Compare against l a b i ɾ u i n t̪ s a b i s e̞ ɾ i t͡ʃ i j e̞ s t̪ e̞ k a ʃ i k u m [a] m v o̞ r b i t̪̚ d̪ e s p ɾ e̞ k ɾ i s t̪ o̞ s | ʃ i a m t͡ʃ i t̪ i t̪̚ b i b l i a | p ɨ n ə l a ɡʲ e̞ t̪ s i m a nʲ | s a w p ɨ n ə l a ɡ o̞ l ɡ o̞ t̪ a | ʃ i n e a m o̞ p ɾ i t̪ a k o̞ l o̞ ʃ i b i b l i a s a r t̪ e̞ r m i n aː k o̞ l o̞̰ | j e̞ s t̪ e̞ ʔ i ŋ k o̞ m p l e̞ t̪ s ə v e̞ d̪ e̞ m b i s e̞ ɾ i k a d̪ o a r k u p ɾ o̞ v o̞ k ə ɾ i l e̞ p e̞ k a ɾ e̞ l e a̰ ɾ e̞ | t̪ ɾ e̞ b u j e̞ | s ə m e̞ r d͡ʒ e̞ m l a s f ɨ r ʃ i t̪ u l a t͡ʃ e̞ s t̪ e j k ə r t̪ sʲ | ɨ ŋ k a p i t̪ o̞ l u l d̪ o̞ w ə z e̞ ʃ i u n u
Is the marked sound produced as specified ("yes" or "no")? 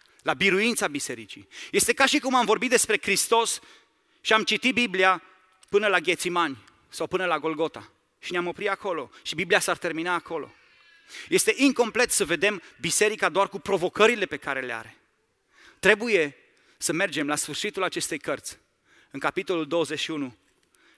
yes